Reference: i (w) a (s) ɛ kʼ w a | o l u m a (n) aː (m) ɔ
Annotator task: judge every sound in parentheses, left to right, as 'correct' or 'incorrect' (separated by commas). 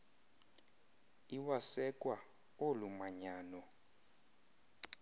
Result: correct, correct, incorrect, incorrect